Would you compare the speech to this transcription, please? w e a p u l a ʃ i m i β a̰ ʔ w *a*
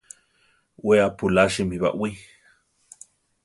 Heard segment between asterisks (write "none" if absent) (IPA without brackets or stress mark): i